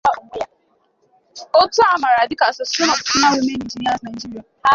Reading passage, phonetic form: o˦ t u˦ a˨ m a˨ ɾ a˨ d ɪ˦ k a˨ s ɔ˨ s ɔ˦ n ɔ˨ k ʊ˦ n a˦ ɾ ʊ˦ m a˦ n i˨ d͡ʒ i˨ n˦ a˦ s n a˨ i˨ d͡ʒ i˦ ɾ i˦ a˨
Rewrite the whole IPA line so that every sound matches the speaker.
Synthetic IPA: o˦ t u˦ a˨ m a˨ ɾ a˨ d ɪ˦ k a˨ s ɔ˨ s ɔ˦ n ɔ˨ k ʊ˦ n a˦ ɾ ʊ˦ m e˦ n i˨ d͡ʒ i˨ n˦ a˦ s n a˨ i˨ d͡ʒ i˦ ɾ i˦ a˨